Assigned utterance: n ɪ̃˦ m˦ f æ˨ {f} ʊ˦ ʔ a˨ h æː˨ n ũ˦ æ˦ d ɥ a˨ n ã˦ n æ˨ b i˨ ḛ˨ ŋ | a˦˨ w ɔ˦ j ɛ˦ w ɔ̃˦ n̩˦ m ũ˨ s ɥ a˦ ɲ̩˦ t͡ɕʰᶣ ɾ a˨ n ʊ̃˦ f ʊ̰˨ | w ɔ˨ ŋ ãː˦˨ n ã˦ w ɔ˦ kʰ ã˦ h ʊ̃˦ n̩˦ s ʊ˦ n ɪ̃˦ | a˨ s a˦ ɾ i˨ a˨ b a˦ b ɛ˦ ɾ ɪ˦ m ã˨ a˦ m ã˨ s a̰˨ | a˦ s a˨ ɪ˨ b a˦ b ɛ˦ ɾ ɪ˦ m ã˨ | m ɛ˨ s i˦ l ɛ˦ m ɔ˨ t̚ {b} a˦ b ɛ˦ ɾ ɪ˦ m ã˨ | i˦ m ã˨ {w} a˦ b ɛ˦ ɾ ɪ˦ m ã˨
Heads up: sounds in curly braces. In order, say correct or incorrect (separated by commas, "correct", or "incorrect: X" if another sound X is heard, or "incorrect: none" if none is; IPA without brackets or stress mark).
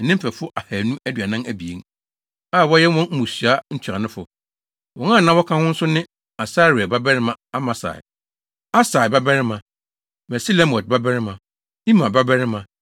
correct, correct, incorrect: b